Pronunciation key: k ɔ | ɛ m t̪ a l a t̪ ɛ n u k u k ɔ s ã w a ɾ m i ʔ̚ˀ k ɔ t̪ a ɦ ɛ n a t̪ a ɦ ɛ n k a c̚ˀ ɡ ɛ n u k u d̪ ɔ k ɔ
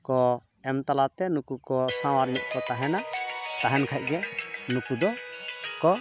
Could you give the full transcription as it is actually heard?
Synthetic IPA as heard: k ɔ | ɛ m t̪ a l a t̪ ɛ n u k u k ɔ s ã w a ɾ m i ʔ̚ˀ k ɔ t̪ a ɦ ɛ n a t̪ a ɦ ɛ n kʰ a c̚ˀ ɡ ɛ n u k u d̪ ɔ k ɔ